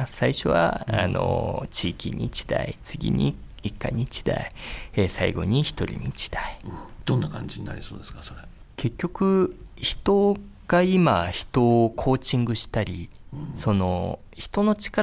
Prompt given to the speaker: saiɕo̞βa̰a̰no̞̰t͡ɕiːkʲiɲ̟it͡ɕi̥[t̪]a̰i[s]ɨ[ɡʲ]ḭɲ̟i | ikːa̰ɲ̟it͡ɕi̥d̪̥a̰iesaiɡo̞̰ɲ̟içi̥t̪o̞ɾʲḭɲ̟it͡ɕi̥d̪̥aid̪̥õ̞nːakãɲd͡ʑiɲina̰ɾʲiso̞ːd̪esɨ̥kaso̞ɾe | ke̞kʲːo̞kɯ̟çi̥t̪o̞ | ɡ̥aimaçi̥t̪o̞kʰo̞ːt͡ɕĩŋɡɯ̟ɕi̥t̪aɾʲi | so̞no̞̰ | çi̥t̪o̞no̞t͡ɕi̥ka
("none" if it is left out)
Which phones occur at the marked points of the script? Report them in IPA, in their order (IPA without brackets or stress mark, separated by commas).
d̪, t͡s, ɡʲ